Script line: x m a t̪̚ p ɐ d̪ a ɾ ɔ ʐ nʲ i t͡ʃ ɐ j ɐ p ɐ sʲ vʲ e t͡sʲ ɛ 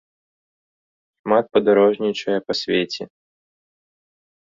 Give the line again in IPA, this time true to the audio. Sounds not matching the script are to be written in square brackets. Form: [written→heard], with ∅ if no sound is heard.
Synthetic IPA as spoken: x m a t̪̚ p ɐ d̪ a ɾ ɔ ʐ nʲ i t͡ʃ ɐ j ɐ p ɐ sʲ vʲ e t͡sʲ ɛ